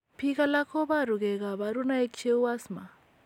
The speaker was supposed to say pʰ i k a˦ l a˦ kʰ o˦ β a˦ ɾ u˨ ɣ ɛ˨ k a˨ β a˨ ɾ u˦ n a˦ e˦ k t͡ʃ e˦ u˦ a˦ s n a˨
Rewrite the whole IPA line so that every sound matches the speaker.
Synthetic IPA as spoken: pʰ i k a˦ l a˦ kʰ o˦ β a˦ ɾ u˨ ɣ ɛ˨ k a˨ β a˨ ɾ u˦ n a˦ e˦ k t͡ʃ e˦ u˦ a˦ s m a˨